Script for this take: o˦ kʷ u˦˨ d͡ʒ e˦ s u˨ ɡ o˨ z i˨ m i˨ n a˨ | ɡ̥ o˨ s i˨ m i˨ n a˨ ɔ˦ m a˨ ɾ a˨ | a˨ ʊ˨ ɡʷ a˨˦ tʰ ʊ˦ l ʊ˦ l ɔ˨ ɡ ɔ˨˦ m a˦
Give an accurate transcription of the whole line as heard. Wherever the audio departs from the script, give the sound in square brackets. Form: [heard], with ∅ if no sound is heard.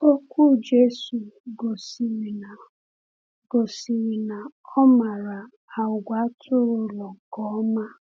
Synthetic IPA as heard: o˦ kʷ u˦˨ d͡ʒ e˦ s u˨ ɡ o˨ [s] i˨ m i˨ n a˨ | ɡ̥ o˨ s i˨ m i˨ n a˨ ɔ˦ m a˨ ɾ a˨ | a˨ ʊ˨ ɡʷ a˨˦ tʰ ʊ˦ [ɾ] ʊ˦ l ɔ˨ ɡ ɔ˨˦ m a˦